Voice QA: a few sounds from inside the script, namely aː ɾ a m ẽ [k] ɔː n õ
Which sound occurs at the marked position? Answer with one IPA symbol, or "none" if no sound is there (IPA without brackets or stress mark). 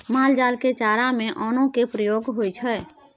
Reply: ʔ